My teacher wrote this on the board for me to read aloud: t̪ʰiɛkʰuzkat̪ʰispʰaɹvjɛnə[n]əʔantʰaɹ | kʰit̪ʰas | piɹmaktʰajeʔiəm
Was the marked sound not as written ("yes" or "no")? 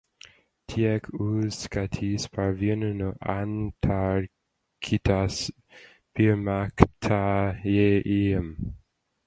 no